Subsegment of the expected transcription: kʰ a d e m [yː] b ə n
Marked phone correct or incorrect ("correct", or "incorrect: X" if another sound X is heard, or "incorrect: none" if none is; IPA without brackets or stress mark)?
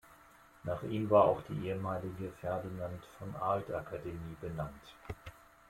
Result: incorrect: iː